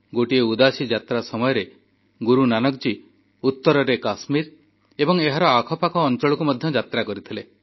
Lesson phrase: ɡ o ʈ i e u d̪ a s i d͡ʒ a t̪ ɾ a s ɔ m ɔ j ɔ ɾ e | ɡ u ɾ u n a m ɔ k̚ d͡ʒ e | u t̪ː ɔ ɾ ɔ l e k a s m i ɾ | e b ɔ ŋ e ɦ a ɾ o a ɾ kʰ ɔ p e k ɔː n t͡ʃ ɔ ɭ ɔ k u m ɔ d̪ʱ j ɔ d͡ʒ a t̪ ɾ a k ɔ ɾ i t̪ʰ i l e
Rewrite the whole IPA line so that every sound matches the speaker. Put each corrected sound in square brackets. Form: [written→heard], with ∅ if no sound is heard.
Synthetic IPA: ɡ o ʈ i e u d̪ a s i d͡ʒ a t̪ ɾ a s ɔ m ɔ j ɔ ɾ e | ɡ u ɾ u n a [m→n] ɔ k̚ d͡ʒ [e→i] | u t̪ː ɔ ɾ ɔ [l→ɾ] e k a s m i ɾ | e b ɔ ŋ e ɦ a ɾ [o→ɔ] a [ɾ→∅] kʰ ɔ p [e→a] k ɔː n t͡ʃ ɔ ɭ ɔ k u m ɔ d̪ʱ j ɔ d͡ʒ a t̪ ɾ a k ɔ ɾ i t̪ʰ i l e